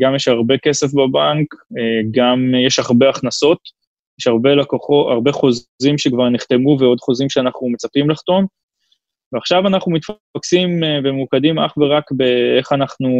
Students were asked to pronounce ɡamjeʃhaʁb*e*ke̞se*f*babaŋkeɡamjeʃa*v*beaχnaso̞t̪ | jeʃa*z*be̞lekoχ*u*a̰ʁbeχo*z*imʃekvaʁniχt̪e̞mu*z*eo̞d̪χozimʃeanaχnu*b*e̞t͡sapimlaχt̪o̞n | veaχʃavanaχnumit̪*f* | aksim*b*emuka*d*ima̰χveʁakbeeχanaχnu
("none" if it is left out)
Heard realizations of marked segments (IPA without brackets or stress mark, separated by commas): e, f, ʁ, ʁ, o, z, v, m, f, v, d